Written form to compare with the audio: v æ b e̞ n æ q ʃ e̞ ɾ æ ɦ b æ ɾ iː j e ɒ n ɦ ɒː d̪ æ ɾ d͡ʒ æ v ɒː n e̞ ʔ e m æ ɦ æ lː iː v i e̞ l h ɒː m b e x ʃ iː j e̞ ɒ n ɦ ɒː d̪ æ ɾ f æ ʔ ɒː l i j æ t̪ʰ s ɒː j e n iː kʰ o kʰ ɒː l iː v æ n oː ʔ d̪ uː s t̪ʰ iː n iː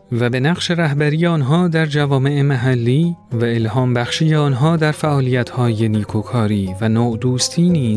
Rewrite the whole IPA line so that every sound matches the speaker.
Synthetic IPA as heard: v æ b e̞ n æ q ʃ e̞ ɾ æ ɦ b æ ɾ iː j e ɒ n ɦ ɒː d̪ æ ɾ d͡ʒ æ v ɒː m e̞ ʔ e m æ ɦ æ lː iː v æ e̞ l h ɒː m b æ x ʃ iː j e̞ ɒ n ɦ ɒː d̪ æ ɾ f æ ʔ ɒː l i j æ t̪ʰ h ɒː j e n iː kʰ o kʰ ɒː ɾ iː v æ n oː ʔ d̪ uː s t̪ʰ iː n iː